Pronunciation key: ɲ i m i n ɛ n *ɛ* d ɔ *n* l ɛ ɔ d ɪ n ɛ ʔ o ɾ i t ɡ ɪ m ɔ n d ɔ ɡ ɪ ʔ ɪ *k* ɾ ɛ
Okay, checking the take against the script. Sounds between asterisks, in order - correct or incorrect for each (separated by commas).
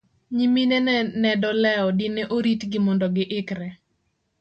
correct, incorrect, correct